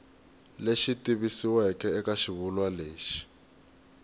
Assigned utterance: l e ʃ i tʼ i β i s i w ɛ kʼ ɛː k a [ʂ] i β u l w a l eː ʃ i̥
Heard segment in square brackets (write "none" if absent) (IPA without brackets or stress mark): ʃ